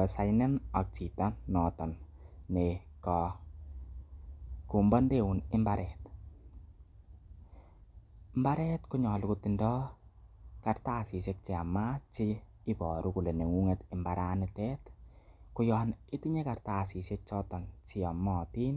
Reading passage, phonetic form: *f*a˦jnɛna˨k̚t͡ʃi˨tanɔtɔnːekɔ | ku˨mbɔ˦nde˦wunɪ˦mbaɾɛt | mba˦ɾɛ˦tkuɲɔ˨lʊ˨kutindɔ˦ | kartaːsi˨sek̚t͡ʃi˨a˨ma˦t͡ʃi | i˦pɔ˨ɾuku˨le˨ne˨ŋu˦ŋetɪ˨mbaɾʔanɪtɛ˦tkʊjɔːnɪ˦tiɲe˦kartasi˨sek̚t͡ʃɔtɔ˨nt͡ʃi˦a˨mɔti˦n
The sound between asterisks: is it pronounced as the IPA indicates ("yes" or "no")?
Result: no